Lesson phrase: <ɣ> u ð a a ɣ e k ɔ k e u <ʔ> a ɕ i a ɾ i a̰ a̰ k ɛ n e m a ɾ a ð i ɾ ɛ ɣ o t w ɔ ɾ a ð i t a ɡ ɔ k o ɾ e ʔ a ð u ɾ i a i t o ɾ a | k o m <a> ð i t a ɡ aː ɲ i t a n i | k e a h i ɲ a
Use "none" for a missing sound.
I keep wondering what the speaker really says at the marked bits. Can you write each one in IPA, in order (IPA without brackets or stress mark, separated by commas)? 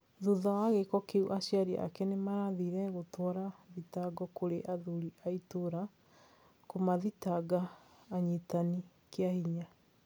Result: ð, ʔ, a